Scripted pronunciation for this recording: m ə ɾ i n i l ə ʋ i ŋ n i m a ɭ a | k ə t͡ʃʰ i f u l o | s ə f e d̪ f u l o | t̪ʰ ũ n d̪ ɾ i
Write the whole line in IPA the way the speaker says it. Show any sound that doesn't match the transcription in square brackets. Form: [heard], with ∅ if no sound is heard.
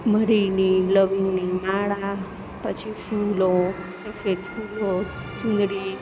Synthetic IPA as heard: m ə ɾ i n i l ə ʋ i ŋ n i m a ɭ a | [p] ə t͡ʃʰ i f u l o | s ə f e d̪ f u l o | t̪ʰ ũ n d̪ ɾ i